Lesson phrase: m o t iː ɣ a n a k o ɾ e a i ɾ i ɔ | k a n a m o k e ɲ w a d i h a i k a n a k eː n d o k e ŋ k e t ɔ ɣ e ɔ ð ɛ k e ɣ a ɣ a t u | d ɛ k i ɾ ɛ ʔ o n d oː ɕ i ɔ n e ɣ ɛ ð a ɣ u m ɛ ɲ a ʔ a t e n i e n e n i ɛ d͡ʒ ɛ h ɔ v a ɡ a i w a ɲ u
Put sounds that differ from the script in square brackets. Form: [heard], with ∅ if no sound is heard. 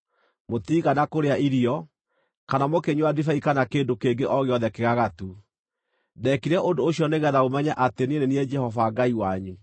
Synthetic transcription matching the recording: m o t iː ɣ a n a k o ɾ e a i ɾ i ɔ | k a n a m o k e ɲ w a d i [f] a i k a n a k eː n d o k e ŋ [ɡ] e [ʔ] ɔ ɣ e ɔ ð ɛ k e ɣ a ɣ a t u | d ɛ k i ɾ ɛ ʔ o n d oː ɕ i ɔ n e ɣ ɛ ð a ɣ [o] m ɛ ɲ a ʔ a t e n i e n e n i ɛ d͡ʒ ɛ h ɔ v a ɡ a i w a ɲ u